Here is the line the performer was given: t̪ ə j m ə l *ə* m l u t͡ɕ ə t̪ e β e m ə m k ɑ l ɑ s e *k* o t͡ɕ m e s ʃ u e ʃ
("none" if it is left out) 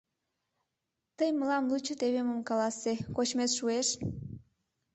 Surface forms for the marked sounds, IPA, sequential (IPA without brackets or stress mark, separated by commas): ɑ, k